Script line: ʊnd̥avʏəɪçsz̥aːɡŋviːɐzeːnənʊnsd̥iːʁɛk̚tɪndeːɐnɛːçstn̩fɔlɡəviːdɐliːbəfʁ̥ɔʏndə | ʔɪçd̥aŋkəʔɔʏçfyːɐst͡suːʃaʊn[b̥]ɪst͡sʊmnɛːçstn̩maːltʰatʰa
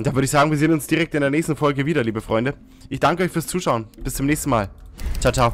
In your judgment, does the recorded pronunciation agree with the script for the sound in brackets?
yes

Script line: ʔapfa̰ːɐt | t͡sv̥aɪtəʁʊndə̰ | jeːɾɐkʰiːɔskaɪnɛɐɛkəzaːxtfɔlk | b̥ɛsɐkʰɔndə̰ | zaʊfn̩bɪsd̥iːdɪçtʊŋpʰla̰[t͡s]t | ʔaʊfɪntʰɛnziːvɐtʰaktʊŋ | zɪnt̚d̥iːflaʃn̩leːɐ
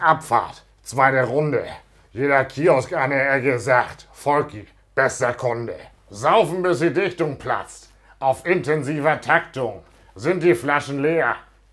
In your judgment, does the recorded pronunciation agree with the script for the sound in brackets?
yes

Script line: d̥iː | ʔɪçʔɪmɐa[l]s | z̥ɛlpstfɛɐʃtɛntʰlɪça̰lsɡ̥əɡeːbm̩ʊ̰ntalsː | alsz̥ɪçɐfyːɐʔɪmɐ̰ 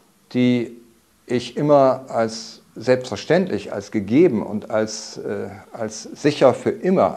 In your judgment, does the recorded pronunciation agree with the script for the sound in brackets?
yes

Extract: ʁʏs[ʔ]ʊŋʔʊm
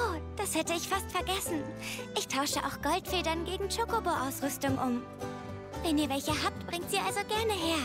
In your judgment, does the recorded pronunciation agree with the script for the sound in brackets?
no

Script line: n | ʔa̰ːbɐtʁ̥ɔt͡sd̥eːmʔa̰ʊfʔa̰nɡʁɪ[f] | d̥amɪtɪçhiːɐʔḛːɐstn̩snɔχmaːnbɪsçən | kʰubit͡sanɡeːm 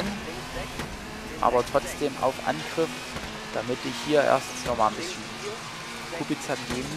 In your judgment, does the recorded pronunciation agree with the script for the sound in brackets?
yes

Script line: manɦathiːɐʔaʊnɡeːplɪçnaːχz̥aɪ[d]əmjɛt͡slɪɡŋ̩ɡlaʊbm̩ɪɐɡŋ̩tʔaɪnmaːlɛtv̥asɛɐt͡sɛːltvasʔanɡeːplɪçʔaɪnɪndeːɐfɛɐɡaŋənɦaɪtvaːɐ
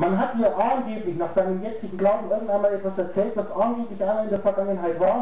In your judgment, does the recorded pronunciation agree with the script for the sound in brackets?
no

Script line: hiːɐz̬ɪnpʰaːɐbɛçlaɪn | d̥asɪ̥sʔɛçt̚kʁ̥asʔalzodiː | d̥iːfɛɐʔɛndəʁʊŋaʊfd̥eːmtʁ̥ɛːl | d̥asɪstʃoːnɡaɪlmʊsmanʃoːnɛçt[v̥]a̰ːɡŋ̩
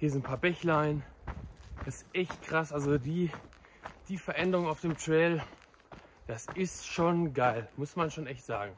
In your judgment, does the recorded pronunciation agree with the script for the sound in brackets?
no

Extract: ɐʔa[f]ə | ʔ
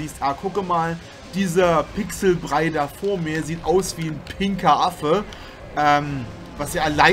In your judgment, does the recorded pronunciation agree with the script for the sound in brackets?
yes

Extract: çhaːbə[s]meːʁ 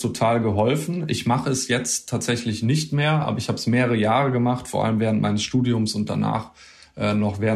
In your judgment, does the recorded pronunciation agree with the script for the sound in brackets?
yes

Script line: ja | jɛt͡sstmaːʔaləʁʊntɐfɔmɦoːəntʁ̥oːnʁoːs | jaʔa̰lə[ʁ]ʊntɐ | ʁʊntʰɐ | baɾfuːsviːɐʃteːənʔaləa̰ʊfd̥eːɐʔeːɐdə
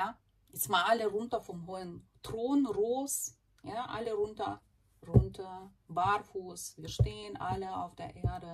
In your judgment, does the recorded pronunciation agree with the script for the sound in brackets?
yes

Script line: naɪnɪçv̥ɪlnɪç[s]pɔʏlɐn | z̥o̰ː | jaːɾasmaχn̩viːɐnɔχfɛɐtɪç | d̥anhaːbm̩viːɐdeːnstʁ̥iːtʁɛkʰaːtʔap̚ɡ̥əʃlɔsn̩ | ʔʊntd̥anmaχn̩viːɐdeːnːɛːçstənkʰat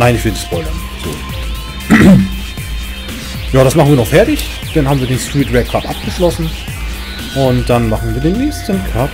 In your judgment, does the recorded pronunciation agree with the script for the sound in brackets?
yes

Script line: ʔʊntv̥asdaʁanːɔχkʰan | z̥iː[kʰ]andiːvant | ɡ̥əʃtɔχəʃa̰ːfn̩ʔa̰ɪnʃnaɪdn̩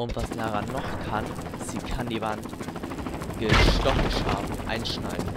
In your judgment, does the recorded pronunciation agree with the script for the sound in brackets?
yes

